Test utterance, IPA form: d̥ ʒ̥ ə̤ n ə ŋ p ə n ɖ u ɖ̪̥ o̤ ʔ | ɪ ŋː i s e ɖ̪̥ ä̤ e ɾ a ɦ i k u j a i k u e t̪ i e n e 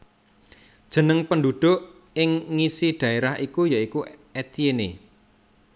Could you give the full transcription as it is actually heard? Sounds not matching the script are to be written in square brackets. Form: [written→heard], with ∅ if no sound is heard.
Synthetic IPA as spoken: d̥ ʒ̥ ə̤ n ə ŋ p ə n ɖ u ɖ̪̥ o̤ ʔ | ɪ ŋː i s [e→i] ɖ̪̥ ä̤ e ɾ a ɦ i k u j a i k u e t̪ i e n e